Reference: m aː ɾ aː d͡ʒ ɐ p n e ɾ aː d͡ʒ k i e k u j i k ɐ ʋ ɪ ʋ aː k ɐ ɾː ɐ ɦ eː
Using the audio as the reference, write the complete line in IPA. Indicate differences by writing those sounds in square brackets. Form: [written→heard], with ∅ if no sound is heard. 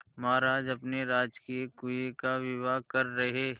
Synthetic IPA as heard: m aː ɾ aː d͡ʒ ɐ p n e ɾ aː d͡ʒ k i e k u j [i→e] k [ɐ→a] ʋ ɪ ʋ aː k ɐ ɾː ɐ ɦ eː